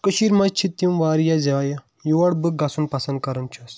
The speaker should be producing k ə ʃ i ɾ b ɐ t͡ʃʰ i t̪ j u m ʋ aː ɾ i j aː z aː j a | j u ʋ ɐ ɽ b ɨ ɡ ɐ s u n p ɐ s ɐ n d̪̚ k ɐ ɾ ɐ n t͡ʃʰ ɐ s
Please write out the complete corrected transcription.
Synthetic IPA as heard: k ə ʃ i ɾ m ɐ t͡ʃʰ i t̪ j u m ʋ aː ɾ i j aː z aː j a | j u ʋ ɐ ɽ b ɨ ɡ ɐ s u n p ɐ s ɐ n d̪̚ k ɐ ɾ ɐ n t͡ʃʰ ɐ s